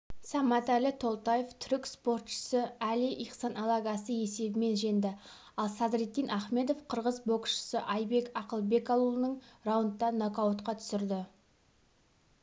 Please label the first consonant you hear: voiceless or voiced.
voiceless